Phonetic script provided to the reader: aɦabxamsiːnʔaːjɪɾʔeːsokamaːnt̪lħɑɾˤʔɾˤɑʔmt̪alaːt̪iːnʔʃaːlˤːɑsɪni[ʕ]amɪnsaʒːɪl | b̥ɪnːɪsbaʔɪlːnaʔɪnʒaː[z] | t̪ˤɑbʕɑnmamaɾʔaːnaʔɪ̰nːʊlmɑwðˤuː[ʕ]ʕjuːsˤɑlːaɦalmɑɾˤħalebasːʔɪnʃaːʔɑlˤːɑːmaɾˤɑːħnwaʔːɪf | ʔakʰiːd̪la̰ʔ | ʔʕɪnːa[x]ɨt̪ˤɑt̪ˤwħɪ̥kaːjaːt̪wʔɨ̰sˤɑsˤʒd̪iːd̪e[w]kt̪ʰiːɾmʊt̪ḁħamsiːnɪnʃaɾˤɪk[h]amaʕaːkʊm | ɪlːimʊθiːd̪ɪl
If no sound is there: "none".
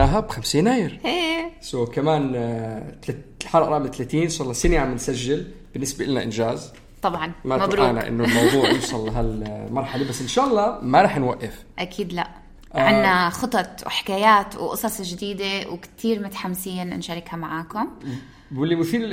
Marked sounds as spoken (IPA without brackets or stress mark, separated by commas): ʕ, z, ʕ, x, w, h